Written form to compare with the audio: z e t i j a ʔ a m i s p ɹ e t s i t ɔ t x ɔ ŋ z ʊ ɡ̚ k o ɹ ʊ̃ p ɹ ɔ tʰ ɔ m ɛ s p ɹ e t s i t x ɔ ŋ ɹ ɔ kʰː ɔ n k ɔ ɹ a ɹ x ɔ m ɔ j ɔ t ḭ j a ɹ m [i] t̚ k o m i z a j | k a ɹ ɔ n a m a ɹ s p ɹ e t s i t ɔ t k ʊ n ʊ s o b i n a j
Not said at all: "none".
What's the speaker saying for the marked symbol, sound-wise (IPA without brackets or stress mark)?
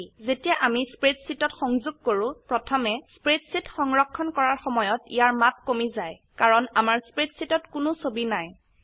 a